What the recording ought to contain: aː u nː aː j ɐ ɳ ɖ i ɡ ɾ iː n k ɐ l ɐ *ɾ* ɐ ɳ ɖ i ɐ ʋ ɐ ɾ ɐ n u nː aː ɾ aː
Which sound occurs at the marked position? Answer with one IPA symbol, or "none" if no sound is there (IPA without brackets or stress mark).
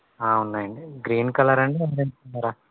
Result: ɾ